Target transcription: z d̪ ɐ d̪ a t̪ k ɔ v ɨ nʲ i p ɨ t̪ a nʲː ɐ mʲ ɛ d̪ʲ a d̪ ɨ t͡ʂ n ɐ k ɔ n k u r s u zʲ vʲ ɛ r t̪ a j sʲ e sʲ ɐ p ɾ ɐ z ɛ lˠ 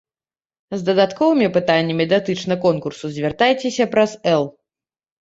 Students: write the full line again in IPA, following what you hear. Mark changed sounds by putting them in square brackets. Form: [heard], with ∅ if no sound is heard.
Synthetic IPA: z d̪ ɐ d̪ a t̪ k ɔ v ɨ [mʲ] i p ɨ t̪ a nʲː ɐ mʲ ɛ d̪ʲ a [t̪] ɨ t͡ʂ n ɐ k ɔ n k u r s u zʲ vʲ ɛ r t̪ a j [t͡sʲ] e sʲ ɐ p ɾ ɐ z ɛ lˠ